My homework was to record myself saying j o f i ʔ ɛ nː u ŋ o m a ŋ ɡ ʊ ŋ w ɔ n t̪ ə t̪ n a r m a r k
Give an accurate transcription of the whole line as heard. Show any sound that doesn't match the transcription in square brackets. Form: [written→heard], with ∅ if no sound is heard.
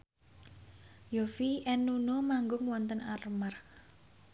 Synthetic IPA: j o f i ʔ ɛ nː u [ŋ→n] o m a ŋ ɡ ʊ ŋ w ɔ n t̪ ə [t̪→∅] n a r m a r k